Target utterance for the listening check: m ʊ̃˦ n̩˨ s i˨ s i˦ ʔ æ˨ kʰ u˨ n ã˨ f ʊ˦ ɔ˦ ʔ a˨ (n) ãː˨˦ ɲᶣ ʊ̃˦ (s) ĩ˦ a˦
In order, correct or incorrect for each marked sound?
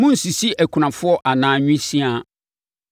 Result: correct, correct

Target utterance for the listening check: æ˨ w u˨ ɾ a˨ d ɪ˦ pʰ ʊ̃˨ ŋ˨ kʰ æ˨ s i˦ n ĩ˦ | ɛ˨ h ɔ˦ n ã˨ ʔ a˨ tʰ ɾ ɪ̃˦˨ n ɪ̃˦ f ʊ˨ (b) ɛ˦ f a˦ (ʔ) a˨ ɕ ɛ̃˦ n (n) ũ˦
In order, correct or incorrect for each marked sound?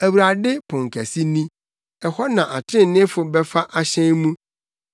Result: correct, correct, incorrect: m

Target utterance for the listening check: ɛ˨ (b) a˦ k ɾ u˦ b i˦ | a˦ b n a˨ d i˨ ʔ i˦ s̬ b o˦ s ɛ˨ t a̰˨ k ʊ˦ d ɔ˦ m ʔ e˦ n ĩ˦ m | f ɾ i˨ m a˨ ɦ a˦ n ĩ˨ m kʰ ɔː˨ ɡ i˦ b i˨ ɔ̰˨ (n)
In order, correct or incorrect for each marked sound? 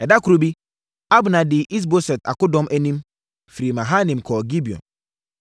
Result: incorrect: d, correct

